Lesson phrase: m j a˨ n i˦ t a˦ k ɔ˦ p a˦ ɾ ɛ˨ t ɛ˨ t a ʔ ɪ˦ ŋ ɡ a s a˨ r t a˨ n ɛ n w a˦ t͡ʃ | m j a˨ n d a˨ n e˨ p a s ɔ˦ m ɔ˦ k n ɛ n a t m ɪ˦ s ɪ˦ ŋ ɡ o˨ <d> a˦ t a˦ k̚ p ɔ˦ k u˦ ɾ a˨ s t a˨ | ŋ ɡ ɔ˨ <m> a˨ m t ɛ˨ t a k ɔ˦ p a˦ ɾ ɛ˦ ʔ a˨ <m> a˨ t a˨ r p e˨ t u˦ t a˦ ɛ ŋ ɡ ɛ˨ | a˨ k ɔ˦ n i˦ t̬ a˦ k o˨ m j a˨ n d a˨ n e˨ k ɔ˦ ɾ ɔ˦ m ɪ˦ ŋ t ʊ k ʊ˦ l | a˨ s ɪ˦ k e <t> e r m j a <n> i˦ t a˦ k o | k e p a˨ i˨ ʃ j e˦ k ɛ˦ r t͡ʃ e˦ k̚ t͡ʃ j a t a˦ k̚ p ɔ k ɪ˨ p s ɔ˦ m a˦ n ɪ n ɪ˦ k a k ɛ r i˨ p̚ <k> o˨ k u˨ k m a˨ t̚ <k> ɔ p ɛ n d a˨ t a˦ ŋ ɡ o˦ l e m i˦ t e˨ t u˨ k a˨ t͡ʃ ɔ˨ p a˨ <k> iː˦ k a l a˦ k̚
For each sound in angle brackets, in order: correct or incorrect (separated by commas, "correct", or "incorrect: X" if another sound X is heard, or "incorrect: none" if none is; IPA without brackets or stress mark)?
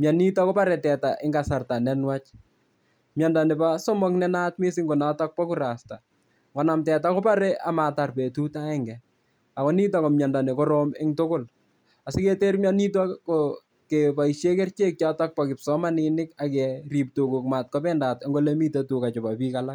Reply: incorrect: n, incorrect: n, correct, correct, correct, incorrect: t, correct, incorrect: p